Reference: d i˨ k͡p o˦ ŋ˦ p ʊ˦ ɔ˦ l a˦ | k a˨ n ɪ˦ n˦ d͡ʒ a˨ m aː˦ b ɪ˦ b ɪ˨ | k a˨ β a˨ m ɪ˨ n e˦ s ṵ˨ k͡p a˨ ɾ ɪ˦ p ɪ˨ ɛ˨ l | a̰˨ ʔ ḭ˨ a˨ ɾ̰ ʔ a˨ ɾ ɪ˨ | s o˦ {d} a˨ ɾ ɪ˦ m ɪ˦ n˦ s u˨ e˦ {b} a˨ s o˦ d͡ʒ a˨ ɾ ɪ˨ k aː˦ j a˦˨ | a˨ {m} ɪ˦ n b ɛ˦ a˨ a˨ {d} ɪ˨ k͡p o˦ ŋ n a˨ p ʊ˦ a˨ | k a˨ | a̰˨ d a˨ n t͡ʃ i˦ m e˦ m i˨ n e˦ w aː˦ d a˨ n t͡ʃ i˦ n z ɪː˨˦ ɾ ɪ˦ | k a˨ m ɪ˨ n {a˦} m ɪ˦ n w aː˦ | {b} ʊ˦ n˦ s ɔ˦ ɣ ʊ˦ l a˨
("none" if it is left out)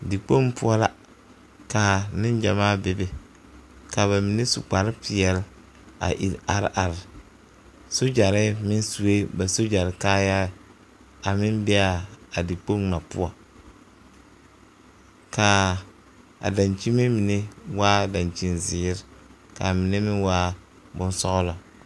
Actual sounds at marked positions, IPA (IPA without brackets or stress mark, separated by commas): d͡ʒ, b, m, d, e˦, b